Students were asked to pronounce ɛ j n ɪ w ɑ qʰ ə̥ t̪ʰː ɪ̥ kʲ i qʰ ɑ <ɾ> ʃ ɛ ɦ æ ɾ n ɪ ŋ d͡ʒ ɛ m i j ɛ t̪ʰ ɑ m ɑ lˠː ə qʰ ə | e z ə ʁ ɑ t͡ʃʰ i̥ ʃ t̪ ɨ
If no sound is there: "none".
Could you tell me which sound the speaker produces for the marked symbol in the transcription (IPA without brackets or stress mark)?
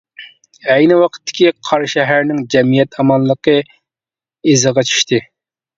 ɾ